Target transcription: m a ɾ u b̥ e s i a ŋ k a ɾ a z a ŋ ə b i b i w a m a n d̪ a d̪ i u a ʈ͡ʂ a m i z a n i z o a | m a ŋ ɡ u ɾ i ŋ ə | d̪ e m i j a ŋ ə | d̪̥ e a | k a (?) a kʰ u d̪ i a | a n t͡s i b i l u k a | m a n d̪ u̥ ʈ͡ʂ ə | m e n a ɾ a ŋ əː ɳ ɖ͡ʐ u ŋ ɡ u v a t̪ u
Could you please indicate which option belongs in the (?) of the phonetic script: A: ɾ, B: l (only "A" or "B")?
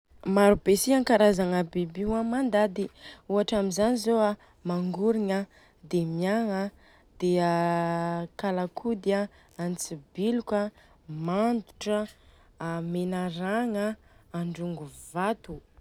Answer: B